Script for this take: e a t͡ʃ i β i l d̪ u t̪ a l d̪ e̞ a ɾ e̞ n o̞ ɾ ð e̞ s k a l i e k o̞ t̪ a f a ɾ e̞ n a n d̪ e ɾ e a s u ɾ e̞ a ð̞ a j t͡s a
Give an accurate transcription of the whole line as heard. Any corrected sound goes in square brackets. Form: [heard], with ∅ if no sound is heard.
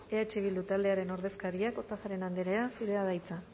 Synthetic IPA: e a t͡ʃ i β i l d̪ u t̪ a l d̪ e̞ a ɾ e̞ n o̞ ɾ ð e̞ s k a [ɾ] i [a] k o̞ t̪ a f a ɾ e̞ n a n d̪ e ɾ e a s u ɾ e̞ a ð̞ a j t͡s a